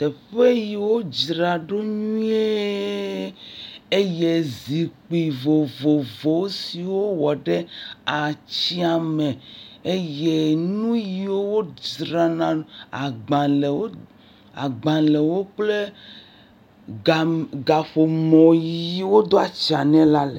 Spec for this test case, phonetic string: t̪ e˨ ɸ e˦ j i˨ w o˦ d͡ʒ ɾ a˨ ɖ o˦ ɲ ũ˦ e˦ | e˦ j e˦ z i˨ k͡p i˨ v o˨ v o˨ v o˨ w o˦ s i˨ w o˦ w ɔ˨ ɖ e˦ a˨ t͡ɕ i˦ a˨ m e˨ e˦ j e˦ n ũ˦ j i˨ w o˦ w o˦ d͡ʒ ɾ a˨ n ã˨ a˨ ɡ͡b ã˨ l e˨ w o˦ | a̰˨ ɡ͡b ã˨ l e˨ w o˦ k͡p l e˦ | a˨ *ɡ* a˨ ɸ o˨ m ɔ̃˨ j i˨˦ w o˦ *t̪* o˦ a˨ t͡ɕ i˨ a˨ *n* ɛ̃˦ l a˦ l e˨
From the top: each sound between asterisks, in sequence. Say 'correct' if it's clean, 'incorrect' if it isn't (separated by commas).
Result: correct, incorrect, correct